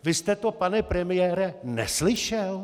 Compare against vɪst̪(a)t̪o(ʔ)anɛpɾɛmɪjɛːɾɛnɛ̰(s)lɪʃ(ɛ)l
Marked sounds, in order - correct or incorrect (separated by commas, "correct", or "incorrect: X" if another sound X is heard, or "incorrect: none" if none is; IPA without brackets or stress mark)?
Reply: incorrect: ɛ, incorrect: p, correct, correct